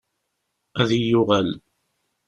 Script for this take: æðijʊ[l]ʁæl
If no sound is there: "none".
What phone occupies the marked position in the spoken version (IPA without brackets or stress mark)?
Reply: none